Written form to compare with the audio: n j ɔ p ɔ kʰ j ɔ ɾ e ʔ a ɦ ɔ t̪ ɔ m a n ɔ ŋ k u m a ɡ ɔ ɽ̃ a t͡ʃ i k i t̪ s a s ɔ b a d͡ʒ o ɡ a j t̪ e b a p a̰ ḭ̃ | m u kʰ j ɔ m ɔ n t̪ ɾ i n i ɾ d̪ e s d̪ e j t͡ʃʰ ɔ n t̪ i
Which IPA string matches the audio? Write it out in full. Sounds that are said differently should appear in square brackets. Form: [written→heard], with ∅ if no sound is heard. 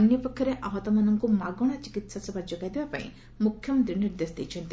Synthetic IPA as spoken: n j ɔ p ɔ kʰ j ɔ ɾ e ʔ a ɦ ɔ t̪ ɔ m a n ɔ ŋ k u m a ɡ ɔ ɽ̃ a t͡ʃ i k i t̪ s a s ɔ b a d͡ʒ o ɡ a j [t̪→d̪] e b a p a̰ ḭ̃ | m u kʰ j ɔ m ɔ n t̪ ɾ i n i ɾ d̪ e s d̪ e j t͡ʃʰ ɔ n t̪ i